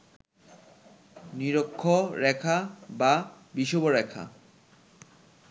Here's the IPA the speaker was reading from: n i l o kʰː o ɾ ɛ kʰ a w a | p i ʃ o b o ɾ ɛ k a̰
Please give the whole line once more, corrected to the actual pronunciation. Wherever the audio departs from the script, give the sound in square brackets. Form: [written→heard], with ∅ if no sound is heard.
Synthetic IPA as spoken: n i [l→ɾ] o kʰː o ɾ ɛ kʰ a [w→b] a | [p→b] i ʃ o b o ɾ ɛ [k→kʰ] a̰